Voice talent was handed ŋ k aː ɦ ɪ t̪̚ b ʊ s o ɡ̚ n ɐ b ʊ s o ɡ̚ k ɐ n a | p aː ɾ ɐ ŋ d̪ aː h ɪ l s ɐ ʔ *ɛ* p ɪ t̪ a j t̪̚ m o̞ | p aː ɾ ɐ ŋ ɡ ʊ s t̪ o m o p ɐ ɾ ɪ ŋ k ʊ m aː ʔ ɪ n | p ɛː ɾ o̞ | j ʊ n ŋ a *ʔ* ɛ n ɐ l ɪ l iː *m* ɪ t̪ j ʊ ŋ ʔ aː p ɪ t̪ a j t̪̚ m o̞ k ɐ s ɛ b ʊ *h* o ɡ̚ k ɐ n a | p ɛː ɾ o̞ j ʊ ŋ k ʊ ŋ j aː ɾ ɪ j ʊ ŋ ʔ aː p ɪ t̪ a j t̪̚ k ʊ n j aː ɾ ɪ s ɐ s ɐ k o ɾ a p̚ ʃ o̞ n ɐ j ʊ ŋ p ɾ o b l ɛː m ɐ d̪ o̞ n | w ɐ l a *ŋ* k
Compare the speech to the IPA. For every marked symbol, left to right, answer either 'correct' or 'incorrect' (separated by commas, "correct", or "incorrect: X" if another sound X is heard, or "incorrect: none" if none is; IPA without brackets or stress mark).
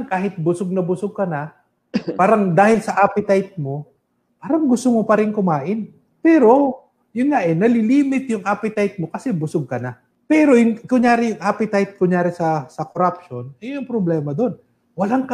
incorrect: a, correct, correct, incorrect: s, correct